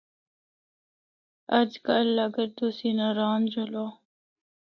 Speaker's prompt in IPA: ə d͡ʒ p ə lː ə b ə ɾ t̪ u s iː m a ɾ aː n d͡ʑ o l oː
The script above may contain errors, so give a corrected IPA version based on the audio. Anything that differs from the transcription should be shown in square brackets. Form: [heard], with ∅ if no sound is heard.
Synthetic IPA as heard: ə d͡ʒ [k] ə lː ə [ɡ] ə ɾ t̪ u s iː [n] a ɾ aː n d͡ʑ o l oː